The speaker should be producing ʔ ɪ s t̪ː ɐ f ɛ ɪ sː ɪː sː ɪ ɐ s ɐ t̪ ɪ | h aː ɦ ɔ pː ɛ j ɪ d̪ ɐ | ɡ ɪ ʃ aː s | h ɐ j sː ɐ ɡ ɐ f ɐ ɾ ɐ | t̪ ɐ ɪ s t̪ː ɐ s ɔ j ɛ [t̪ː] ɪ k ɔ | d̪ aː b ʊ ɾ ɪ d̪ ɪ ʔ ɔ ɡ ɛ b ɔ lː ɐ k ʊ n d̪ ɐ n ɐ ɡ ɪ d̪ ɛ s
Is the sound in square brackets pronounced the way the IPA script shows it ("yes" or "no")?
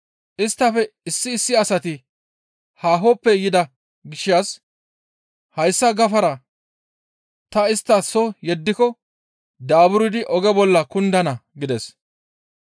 no